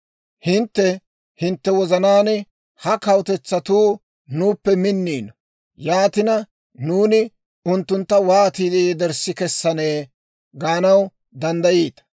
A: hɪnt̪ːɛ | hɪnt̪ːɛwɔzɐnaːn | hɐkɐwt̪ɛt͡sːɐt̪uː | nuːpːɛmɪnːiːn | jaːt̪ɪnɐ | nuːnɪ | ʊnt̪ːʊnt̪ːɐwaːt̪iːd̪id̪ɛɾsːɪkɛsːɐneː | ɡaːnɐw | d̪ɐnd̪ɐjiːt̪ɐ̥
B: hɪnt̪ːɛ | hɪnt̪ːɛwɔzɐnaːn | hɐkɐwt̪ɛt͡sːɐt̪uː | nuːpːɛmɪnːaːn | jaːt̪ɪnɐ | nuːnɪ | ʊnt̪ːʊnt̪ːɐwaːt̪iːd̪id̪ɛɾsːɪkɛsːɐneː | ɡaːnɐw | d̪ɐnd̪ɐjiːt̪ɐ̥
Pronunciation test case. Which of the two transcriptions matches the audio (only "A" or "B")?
A